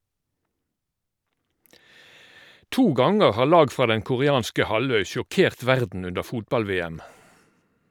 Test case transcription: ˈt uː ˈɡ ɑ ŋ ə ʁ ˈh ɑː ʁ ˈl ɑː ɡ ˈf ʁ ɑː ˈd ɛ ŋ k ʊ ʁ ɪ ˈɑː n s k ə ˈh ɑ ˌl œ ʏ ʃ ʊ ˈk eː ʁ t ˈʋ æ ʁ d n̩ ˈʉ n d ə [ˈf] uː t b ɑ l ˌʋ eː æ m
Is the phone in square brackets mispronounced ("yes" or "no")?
no